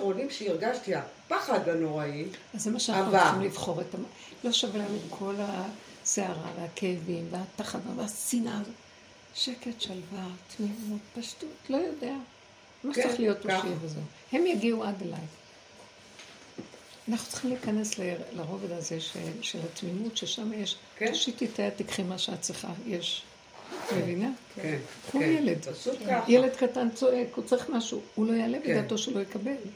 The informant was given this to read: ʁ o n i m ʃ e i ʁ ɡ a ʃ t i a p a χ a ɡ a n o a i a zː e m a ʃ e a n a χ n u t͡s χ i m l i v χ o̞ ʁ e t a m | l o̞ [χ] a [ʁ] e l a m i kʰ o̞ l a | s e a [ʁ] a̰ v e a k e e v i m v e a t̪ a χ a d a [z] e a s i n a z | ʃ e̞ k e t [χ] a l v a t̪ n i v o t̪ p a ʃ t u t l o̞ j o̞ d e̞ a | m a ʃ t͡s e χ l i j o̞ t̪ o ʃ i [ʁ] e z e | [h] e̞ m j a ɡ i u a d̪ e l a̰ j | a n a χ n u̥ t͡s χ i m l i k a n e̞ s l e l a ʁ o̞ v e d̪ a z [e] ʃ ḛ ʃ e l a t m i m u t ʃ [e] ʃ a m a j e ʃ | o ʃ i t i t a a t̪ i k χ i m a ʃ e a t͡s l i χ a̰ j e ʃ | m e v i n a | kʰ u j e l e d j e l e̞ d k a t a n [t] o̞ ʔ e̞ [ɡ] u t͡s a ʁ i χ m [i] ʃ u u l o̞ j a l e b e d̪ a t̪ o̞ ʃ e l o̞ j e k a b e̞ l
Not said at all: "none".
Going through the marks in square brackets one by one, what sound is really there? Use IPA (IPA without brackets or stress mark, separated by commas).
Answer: ʃ, v, ʁ, v, ʃ, v, h, e, e, t͡s, k, a